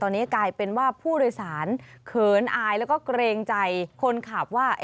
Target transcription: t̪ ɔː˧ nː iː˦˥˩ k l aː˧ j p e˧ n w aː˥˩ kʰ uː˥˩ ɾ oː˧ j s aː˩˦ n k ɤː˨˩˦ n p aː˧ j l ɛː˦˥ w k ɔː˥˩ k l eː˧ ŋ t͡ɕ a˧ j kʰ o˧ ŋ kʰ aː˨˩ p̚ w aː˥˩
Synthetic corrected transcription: t̪ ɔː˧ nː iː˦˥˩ k l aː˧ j p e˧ n w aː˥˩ pʰ uː˥˩ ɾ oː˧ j s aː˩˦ n kʰ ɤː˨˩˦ n ʔ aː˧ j l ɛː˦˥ w k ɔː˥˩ k ɾ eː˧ ŋ t͡ɕ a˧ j kʰ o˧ n kʰ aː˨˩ p̚ w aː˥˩